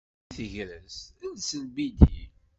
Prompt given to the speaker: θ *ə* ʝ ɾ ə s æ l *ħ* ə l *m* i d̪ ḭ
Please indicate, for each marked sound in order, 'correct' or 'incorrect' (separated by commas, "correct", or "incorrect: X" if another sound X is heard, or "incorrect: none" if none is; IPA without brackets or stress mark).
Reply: correct, incorrect: s, incorrect: b